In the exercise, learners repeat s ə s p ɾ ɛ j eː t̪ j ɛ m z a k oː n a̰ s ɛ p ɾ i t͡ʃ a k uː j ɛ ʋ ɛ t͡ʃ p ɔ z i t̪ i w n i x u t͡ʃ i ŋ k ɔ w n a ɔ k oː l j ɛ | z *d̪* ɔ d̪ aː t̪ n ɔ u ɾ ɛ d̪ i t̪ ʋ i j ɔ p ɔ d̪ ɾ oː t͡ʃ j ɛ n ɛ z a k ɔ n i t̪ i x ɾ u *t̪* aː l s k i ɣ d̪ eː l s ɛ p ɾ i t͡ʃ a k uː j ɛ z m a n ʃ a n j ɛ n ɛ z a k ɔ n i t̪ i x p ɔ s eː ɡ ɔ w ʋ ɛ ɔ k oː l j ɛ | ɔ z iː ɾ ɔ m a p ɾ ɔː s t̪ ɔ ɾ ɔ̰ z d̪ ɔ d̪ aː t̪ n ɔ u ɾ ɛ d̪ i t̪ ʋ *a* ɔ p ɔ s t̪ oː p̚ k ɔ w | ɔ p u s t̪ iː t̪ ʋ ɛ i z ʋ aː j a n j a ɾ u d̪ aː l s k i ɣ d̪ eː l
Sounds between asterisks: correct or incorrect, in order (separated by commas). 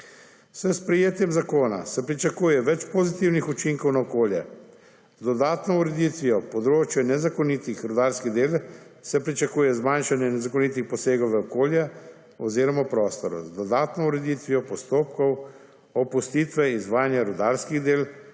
correct, incorrect, incorrect